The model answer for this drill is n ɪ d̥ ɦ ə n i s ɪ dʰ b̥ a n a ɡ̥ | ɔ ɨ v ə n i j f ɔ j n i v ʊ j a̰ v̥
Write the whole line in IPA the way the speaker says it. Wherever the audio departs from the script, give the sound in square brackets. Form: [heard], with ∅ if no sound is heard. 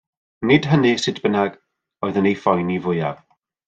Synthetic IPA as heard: n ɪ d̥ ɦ ə n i s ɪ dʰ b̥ [ə] n a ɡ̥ | ɔ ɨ [ð] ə n [e] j f ɔ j n i v ʊ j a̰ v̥